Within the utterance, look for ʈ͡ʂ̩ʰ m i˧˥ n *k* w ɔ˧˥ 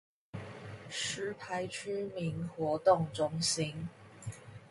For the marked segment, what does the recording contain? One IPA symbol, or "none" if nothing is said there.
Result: x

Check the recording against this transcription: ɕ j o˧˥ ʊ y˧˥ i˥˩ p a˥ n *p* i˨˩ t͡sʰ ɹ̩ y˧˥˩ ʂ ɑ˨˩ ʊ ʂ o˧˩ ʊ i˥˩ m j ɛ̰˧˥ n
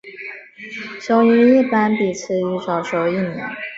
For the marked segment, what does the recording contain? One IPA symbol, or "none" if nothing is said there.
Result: p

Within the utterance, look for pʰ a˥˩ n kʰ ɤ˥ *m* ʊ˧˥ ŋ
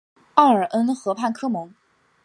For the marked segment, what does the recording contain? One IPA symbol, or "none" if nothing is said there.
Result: m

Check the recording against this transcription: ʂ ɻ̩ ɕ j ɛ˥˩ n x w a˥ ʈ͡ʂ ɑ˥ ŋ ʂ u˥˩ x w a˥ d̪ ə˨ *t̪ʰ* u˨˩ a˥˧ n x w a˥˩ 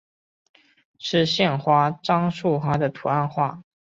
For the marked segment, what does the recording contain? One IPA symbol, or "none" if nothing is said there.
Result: t̪ʰ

